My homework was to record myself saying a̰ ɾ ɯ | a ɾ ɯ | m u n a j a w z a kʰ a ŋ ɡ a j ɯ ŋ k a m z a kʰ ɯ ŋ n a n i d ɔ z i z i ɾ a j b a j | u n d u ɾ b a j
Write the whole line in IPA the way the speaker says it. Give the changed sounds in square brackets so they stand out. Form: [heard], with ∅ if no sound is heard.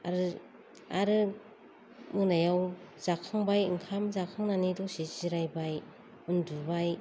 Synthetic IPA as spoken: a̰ ɾ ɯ | a ɾ ɯ | m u n a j a w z a kʰ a ŋ [b] a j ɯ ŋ [kʰ] a m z a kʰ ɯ ŋ n a n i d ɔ [s] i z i ɾ a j b a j | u n d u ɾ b a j